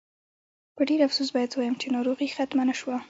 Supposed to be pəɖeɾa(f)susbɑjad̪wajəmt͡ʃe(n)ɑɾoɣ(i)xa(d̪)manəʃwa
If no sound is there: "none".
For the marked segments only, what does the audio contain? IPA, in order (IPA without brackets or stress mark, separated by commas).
f, n, i, t̪